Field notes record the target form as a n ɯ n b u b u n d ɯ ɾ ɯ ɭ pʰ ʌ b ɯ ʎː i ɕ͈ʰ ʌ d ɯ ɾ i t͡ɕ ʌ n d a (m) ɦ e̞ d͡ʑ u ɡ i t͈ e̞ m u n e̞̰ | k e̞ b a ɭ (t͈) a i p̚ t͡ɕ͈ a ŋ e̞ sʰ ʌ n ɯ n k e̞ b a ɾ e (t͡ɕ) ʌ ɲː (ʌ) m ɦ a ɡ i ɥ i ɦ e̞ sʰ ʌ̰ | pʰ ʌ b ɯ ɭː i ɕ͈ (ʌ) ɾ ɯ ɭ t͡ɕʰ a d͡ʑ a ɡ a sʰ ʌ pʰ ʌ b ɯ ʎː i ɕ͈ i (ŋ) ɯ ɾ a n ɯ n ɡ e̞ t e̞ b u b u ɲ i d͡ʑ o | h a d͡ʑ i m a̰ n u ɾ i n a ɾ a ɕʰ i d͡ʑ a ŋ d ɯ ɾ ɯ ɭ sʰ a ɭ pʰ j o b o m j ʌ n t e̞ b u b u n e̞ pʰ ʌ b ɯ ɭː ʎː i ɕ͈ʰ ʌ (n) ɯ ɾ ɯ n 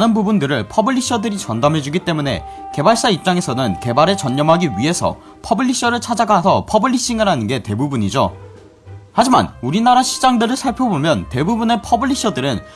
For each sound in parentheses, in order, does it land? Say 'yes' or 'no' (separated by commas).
yes, no, yes, yes, yes, yes, no